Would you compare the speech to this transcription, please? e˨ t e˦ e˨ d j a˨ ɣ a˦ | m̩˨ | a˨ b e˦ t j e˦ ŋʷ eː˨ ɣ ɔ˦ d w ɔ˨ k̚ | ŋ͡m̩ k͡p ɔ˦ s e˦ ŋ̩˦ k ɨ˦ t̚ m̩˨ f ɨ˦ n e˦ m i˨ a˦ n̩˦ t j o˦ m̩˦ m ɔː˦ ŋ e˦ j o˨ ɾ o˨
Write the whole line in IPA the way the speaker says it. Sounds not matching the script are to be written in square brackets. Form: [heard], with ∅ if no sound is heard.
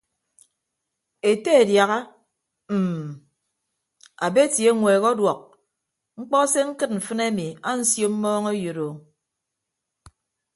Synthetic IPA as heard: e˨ t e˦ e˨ d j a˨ ɣ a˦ | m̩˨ | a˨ b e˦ t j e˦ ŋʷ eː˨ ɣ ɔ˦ d w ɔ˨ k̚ | ŋ͡m̩ k͡p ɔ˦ s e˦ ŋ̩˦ k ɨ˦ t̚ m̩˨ f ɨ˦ n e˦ m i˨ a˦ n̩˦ [s] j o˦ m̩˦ m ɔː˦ ŋ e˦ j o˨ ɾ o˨